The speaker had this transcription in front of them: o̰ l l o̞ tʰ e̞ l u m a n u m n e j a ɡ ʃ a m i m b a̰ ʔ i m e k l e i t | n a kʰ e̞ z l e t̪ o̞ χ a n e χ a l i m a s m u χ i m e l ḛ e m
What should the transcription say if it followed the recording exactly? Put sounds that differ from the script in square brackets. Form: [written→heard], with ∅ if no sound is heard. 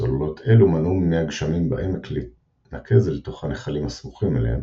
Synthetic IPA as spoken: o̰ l l o̞ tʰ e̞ l u m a n u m n e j a ɡ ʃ a m i m b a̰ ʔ [i→e] m e k l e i t | n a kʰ e̞ z l e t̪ o̞ χ a n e χ a l i m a s m u χ i m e l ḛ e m